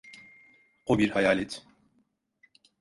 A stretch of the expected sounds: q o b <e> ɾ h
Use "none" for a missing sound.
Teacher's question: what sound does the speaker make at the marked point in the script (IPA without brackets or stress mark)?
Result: i